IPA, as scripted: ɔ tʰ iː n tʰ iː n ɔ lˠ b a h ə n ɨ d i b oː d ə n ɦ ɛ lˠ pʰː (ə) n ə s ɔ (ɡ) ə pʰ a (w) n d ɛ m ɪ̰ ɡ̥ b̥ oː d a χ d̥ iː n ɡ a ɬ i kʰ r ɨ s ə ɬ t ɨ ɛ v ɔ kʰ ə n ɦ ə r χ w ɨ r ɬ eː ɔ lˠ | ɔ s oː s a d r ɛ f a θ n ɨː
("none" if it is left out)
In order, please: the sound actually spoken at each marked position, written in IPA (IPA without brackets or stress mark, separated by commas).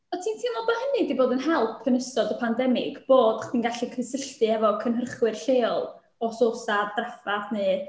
ə, d, none